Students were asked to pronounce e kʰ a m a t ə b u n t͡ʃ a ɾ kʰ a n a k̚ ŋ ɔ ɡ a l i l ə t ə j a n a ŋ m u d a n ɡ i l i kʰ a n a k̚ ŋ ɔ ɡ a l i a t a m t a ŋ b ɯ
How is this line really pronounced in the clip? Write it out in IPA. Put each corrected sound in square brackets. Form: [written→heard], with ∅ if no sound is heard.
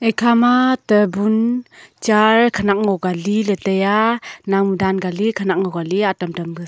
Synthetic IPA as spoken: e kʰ a m a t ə b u n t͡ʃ a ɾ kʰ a n a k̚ ŋ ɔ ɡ a l i l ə t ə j a n a ŋ m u d a n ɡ [i→a] l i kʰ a n a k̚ ŋ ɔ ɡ a l i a t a m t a [ŋ→m] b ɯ